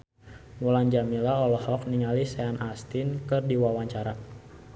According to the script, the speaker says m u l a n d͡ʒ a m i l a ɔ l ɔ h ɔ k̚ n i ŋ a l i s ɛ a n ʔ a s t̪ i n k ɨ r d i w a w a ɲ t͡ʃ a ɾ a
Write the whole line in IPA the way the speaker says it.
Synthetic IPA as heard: m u l a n d͡ʒ a m i l a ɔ l ɔ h ɔ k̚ n i ŋ a l i s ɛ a n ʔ a s t̪ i n k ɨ r d i w a w a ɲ t͡ʃ a ɾ a